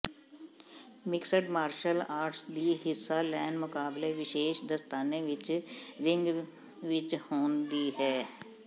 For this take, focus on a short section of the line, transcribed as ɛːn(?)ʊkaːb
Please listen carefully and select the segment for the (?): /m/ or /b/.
m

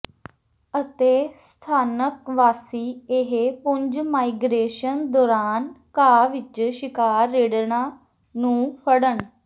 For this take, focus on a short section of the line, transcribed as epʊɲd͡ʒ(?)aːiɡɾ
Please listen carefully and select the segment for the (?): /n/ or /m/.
m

